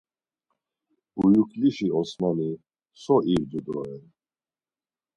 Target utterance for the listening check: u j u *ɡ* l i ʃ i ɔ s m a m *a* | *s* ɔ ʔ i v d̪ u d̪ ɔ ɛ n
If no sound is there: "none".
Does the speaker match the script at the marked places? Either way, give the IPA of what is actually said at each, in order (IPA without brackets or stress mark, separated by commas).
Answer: k, i, s